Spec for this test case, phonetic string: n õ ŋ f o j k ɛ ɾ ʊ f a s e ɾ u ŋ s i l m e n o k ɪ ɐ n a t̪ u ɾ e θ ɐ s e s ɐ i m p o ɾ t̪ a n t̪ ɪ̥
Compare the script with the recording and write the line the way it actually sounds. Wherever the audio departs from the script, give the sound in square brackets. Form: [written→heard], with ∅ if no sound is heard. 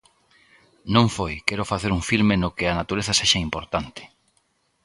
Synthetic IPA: n õ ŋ f o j k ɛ ɾ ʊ f a [s→θ] e ɾ u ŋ [s→f] i l m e n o k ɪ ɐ n a t̪ u ɾ e θ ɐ s e [s→ʃ] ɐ i m p o ɾ t̪ a n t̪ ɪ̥